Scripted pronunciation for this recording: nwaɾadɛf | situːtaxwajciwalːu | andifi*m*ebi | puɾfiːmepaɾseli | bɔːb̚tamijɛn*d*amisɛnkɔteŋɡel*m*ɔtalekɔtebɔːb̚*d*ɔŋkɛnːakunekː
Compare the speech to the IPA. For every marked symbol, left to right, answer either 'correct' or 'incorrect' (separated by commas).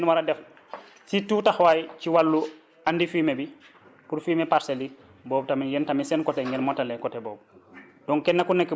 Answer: correct, incorrect, correct, correct